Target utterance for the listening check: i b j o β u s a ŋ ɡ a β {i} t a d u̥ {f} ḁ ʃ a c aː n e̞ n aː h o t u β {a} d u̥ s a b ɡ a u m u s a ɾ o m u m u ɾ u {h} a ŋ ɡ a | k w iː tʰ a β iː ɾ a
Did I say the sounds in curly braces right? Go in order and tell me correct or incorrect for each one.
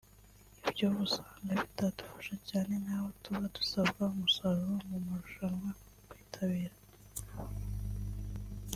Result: correct, correct, correct, incorrect: ʃ

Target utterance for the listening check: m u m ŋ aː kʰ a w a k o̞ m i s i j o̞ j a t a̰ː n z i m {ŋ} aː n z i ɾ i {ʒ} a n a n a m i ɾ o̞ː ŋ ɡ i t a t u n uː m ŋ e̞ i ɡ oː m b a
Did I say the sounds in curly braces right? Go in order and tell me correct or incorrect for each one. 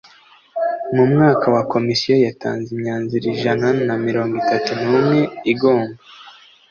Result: incorrect: ɲ, correct

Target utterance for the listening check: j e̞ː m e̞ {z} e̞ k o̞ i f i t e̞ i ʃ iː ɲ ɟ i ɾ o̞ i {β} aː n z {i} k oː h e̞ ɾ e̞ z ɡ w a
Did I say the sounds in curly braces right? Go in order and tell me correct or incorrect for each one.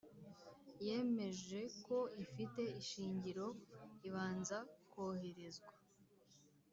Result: incorrect: ʒ, correct, incorrect: a

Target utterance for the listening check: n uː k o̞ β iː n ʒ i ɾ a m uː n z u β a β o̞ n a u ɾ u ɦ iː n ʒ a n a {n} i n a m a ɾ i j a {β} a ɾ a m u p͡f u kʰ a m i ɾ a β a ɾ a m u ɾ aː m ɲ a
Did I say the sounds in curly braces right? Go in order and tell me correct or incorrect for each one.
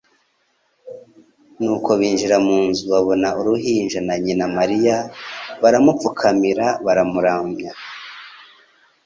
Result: incorrect: ɲ, correct

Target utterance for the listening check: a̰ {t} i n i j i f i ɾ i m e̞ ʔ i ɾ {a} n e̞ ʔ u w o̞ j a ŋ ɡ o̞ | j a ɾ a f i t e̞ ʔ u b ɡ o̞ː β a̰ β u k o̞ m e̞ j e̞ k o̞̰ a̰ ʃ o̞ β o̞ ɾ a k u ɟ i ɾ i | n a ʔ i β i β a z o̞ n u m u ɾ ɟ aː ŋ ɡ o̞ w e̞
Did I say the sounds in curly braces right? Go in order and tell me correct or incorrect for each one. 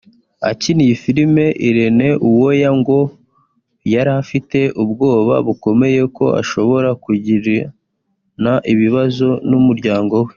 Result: incorrect: c, incorrect: e

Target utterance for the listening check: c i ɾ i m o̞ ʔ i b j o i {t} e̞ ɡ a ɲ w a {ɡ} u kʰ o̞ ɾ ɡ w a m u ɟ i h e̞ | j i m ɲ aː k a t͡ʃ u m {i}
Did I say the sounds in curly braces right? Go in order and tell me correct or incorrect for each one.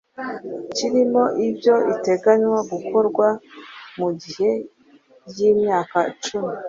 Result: correct, correct, correct

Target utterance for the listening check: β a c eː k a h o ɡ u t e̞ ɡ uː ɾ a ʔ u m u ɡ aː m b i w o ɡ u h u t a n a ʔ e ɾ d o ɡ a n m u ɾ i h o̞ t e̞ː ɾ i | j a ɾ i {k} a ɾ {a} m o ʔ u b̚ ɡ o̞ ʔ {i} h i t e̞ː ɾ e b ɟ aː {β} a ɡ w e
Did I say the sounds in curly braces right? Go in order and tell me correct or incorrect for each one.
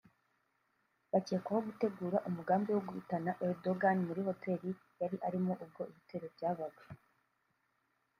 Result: incorrect: ʔ, incorrect: i, correct, correct

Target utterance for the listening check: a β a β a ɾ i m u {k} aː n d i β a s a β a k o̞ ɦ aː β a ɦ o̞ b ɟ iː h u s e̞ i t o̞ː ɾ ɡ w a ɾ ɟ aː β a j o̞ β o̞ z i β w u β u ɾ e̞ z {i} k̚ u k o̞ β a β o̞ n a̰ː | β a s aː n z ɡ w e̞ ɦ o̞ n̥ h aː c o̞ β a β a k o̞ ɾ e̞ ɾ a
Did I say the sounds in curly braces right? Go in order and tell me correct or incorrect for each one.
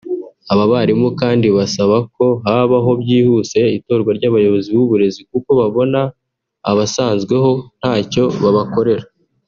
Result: correct, correct

